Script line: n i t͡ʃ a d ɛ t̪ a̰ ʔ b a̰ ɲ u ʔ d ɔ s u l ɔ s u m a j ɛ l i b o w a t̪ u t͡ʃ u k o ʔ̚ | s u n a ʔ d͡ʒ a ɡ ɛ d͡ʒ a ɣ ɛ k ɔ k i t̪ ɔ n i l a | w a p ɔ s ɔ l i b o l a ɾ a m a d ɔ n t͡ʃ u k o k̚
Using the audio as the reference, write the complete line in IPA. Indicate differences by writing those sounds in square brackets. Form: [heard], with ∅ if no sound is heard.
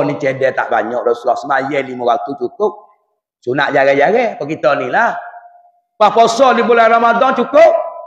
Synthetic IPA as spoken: n i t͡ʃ [ɛ] d ɛ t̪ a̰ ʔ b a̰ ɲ [ɔ] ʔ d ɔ s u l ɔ s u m a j ɛ l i [m] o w a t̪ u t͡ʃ u k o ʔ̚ | s u n a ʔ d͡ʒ a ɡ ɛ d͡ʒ a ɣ ɛ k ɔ k i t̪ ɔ n i l a | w a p ɔ s ɔ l i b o l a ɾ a m a d ɔ n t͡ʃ u k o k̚